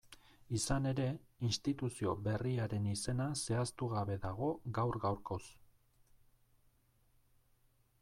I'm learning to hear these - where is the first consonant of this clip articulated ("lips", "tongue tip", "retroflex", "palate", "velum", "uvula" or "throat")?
tongue tip